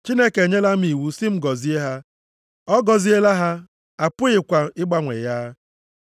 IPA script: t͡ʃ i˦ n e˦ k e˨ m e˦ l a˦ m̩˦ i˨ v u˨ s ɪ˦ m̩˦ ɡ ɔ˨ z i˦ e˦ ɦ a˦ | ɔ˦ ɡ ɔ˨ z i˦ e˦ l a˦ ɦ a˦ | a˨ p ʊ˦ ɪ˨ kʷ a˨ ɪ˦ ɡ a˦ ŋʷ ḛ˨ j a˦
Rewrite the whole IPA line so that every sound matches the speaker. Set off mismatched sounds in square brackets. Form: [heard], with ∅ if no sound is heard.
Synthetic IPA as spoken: t͡ʃ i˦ n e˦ k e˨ [ɲ] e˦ l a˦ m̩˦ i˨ [w] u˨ s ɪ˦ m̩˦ ɡ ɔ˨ z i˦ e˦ ɦ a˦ | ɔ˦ ɡ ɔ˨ z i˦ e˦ l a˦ ɦ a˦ | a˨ p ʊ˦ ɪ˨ kʷ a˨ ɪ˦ [ɡ͡b] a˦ ŋʷ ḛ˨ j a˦